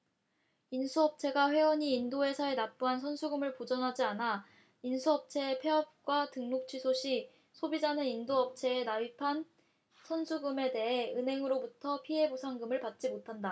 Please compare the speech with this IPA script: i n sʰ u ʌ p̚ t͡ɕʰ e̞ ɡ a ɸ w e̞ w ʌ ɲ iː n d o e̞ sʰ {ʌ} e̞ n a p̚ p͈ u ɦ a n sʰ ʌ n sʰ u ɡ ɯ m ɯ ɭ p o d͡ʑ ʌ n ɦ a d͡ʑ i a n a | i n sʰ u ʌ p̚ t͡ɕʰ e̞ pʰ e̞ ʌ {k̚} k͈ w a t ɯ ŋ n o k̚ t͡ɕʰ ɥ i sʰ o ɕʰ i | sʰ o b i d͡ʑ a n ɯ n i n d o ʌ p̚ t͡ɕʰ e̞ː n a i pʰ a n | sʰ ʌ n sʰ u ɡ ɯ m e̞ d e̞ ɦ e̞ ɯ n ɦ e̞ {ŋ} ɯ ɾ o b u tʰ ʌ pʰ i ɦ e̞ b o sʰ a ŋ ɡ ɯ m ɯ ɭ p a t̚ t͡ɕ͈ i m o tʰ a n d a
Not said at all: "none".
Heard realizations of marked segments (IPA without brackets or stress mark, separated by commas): a, p̚, ŋ